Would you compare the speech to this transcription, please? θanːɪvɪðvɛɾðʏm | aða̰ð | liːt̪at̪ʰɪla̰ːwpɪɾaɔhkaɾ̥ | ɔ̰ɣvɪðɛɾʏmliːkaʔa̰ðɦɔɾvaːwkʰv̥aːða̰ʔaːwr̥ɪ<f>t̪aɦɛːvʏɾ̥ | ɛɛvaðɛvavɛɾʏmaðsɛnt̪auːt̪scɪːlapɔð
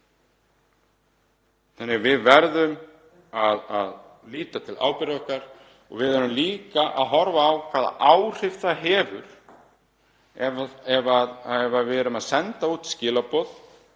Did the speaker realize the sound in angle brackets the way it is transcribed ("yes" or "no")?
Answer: yes